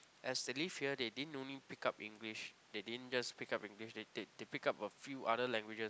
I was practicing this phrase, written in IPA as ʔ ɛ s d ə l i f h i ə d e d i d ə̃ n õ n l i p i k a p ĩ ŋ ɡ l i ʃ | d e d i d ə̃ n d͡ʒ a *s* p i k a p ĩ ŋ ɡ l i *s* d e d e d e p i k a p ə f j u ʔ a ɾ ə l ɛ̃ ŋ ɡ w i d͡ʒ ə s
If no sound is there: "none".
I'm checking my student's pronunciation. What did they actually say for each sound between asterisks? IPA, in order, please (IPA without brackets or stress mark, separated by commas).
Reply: s, ʃ